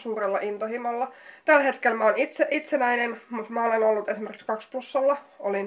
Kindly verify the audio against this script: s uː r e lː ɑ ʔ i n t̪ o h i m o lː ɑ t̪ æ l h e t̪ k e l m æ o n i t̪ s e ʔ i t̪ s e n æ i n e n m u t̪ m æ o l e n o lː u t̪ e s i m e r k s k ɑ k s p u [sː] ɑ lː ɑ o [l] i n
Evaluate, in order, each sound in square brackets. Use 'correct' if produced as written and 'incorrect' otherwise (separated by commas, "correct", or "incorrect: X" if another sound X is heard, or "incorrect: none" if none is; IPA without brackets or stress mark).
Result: correct, correct